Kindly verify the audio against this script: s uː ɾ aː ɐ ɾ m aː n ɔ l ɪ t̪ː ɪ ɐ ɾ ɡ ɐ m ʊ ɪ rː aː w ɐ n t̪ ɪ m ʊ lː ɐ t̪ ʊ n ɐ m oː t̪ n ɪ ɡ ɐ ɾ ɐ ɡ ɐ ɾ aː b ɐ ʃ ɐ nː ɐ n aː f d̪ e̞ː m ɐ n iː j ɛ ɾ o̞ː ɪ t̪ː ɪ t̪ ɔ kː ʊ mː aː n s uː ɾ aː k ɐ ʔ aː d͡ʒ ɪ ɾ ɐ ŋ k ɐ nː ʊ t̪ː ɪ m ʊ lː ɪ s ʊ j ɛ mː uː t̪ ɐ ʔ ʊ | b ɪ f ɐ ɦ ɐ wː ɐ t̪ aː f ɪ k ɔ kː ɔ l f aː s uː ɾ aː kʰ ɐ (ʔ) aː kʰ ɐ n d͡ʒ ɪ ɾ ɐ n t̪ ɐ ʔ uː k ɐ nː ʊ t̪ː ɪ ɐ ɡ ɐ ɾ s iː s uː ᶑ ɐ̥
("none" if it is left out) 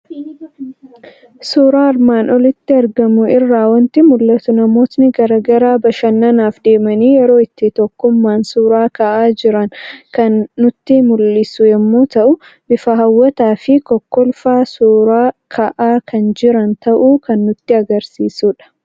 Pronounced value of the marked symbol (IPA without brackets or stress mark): ʔ